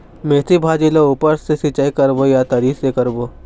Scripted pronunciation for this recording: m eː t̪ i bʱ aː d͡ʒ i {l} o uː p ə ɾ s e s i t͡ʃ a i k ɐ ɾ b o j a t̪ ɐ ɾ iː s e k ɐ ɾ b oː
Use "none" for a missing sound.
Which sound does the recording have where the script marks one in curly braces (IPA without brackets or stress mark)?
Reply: l